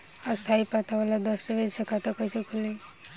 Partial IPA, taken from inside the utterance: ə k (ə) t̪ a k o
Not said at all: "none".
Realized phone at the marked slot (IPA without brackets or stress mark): a